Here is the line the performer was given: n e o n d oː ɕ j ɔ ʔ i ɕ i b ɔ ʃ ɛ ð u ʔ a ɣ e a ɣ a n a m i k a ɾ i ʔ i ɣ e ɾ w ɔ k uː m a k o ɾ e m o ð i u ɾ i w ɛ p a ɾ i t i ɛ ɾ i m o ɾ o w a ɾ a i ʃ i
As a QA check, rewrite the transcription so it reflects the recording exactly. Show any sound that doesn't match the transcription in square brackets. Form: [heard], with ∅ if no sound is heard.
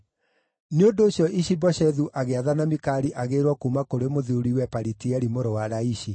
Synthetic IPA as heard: n e o n d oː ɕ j ɔ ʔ i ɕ i b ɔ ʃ ɛ ð u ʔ a ɣ e a [ð] a n a m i k a ɾ i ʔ [a] ɣ e ɾ w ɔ k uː m a k o ɾ e m o ð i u ɾ i w ɛ p a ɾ i t i ɛ ɾ i m o ɾ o w a ɾ a i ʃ i